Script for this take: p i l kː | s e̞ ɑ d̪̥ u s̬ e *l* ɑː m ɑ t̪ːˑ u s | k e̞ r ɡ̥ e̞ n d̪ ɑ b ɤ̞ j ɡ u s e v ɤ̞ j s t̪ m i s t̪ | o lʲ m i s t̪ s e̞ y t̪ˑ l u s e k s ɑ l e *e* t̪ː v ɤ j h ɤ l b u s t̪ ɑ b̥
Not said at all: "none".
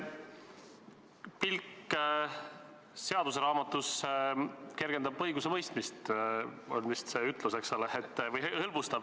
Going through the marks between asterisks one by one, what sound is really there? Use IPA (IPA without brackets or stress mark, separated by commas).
ɾ, e